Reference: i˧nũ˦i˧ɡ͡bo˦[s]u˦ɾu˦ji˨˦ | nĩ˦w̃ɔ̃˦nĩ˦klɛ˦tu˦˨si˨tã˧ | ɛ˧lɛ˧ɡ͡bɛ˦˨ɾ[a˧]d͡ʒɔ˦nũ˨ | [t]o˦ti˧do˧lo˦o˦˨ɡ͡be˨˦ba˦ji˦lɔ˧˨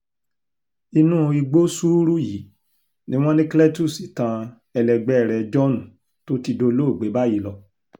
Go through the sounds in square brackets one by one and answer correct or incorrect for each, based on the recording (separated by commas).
correct, incorrect, correct